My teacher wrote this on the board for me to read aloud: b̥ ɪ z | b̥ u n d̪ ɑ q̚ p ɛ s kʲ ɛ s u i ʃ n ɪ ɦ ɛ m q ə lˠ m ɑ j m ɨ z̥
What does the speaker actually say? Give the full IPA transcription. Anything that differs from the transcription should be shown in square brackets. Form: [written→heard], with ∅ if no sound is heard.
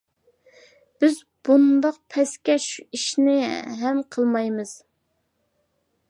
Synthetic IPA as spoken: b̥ ɪ z | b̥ u n d̪ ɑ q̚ [p→pʰ] ɛ s kʲ ɛ [s→ʃ] u i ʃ n ɪ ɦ ɛ m [q→qʰ] ə lˠ m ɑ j m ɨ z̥